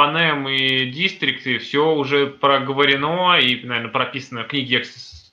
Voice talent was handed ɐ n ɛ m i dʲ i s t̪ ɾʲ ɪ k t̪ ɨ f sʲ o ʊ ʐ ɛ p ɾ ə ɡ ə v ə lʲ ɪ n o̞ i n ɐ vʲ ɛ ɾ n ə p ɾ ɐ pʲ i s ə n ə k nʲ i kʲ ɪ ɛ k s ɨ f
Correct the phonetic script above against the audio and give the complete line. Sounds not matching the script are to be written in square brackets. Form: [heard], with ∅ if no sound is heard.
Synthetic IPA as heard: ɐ n ɛ m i dʲ i s t̪ ɾʲ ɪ k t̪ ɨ f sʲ o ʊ ʐ ɛ p ɾ ə ɡ ə v ə [ɾʲ] ɪ n o̞ i n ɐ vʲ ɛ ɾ n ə p ɾ ɐ pʲ i s ə n ə k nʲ i [ɡʲ] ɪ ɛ k s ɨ [s]